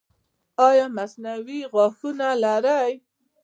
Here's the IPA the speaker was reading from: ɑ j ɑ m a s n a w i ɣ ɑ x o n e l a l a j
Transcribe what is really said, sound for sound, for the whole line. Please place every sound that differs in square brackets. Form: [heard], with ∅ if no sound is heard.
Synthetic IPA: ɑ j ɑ m a s n a w i ɣ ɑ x [u] n [a] l a [ɾ] a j